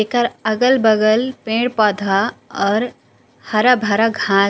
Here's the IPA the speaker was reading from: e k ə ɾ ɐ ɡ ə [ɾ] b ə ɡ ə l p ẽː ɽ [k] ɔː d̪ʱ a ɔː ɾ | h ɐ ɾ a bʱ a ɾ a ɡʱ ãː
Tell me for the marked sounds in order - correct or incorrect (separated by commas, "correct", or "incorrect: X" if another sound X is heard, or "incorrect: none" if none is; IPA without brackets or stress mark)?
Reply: incorrect: l, incorrect: p